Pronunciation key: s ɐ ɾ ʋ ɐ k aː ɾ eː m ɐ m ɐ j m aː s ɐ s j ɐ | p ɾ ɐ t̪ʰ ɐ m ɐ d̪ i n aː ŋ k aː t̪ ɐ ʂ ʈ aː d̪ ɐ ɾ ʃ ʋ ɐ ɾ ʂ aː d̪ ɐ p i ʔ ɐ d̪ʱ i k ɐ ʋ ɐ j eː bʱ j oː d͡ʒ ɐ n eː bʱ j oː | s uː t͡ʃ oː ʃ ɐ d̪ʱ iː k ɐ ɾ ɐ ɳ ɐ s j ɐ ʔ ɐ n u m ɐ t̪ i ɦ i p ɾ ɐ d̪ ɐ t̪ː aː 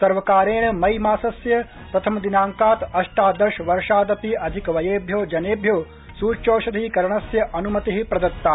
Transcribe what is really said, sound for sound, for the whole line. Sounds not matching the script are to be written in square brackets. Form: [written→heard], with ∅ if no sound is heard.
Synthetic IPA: s ɐ ɾ ʋ ɐ k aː ɾ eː [m→ɳ] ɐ m ɐ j m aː s ɐ s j ɐ | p ɾ ɐ t̪ʰ ɐ m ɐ d̪ i n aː ŋ k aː t̪ ɐ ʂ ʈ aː d̪ ɐ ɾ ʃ ʋ ɐ ɾ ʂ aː d̪ ɐ p i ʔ ɐ d̪ʱ i k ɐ ʋ ɐ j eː bʱ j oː d͡ʒ ɐ n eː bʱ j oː | s uː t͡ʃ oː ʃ ɐ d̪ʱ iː k ɐ ɾ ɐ ɳ ɐ s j ɐ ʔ ɐ n u m ɐ t̪ i ɦ i p ɾ ɐ d̪ ɐ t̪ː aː